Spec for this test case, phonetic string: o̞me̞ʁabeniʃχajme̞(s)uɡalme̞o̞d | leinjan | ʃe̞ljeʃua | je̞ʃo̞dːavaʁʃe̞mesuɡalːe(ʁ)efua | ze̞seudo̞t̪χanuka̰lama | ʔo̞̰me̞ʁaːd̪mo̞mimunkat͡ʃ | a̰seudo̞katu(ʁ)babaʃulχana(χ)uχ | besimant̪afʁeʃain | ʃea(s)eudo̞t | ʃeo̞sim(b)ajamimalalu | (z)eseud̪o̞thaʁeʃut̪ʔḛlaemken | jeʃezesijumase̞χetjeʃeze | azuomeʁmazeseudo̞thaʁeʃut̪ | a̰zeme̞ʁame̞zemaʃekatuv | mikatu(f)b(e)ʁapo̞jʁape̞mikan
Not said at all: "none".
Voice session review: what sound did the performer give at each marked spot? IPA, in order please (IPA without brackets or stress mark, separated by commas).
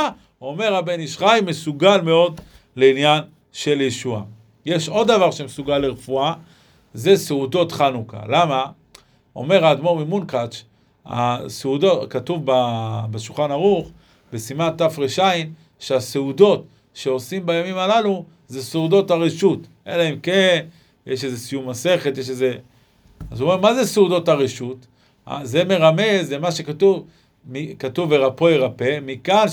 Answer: s, ʁ, v, ʁ, s, b, z, v, e